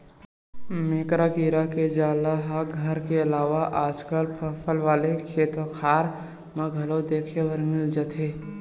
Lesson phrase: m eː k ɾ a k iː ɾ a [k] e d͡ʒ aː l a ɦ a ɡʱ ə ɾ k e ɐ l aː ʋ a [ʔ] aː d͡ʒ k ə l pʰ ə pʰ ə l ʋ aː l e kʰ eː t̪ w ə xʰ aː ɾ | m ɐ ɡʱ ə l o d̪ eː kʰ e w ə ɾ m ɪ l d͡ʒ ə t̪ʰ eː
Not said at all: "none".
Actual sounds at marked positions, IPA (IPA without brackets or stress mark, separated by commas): k, ʔ